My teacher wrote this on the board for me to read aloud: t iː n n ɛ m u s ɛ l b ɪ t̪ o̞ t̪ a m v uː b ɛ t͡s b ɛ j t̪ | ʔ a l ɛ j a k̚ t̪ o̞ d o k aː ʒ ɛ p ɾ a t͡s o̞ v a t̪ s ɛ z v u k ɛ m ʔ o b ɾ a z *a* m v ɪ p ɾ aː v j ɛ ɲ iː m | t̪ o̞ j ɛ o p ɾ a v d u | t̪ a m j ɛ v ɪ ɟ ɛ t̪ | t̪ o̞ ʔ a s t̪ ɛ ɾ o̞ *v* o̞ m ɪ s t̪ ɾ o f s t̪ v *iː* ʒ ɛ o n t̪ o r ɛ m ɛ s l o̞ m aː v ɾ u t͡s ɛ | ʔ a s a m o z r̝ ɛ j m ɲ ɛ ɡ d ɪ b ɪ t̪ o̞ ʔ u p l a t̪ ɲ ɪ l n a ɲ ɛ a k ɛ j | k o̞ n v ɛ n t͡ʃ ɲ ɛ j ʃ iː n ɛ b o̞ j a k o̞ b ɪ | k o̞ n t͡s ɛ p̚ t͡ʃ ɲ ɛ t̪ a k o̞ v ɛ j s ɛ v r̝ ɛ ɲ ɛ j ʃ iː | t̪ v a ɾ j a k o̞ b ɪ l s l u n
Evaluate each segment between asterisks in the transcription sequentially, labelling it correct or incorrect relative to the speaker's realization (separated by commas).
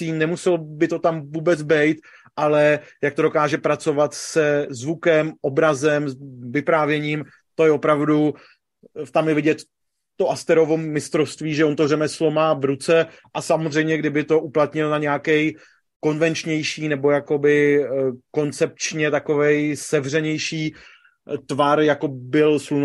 incorrect, correct, correct